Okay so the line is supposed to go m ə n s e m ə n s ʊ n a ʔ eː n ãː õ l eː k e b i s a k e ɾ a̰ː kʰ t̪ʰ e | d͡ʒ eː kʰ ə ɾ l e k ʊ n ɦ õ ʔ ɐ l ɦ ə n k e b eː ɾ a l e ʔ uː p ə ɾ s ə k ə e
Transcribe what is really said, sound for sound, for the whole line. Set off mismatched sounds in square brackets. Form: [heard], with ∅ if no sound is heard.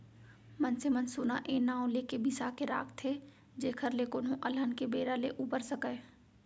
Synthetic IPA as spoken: m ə n s e m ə n s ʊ n a ʔ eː n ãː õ l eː k e b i s a k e ɾ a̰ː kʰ t̪ʰ e | d͡ʒ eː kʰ ə ɾ l e k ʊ n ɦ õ ʔ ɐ l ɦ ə n k e b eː ɾ a l e ʔ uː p ə ɾ s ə k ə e

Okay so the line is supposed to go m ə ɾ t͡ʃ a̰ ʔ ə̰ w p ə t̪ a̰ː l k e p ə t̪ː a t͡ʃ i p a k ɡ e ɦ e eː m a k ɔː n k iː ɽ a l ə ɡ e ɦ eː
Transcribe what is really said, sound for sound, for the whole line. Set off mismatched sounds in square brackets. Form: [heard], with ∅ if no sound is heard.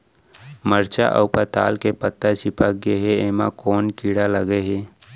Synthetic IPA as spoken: m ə ɾ t͡ʃ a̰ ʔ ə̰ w p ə t̪ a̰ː l k e p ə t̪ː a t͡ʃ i p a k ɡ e ɦ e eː m a k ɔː n k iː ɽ a l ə ɡ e ɦ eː

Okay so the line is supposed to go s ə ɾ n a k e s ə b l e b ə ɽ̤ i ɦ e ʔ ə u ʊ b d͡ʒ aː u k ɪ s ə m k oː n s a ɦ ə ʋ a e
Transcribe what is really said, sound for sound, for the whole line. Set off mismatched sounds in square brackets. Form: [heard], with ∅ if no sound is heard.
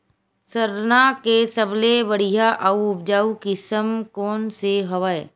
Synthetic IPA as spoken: s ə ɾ n a k e s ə b l e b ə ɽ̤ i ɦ [a] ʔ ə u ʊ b d͡ʒ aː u k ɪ s ə m k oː n s [e] ɦ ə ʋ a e

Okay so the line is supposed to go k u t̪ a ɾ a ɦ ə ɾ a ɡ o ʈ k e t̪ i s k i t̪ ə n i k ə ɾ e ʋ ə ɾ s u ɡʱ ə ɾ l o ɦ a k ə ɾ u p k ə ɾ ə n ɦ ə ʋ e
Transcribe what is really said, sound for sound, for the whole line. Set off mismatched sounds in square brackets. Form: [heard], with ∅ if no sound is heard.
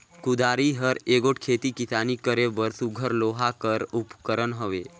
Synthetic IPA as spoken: k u [d̪] a ɾ [i] ɦ ə ɾ [e] ɡ o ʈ [kʰ] e t̪ i [∅] k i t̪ [a] n i k ə ɾ e ʋ ə ɾ s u ɡʱ ə ɾ l o ɦ a k ə ɾ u p k ə ɾ ə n ɦ ə ʋ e

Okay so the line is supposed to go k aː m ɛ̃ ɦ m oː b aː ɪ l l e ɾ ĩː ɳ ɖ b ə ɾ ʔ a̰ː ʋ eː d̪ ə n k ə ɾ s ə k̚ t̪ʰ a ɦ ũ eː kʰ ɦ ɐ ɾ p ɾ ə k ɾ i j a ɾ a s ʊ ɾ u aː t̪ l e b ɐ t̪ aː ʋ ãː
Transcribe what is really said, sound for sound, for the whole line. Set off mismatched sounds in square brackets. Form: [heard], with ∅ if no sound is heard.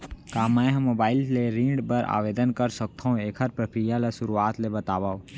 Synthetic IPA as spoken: k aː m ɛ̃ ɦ m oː b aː ɪ l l e ɾ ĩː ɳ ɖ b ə ɾ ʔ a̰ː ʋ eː d̪ ə n k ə ɾ s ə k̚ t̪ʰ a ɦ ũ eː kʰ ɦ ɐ ɾ p ɾ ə k ɾ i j a [l] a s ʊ ɾ u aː t̪ l e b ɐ t̪ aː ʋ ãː

